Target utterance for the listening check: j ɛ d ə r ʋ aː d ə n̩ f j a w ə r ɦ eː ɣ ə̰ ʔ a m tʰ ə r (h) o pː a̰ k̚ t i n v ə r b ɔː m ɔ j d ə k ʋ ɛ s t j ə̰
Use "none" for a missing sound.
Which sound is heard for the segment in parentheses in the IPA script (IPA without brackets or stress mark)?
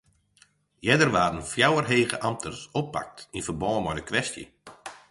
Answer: s